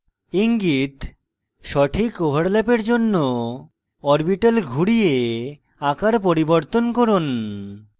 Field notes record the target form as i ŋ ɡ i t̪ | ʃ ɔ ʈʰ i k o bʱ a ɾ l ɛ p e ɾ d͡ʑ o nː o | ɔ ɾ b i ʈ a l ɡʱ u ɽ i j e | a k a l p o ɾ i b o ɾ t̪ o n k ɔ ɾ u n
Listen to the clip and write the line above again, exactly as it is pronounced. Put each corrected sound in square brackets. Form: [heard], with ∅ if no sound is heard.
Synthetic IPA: i ŋ ɡ i t̪ | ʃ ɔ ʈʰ i k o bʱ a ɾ l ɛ p e ɾ d͡ʑ o nː o | ɔ ɾ b i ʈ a l ɡʱ u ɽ i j e | a k a [ɾ] p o ɾ i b o ɾ t̪ o n k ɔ ɾ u n